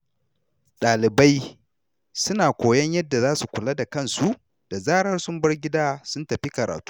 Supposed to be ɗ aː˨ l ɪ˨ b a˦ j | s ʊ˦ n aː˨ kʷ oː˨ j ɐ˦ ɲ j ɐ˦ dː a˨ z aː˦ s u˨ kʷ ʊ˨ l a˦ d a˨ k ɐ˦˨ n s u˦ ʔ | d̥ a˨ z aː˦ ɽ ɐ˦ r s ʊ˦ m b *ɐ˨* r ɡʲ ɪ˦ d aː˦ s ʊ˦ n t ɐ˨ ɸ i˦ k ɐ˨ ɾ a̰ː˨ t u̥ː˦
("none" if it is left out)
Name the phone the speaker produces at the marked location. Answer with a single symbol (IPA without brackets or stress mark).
ɐ˦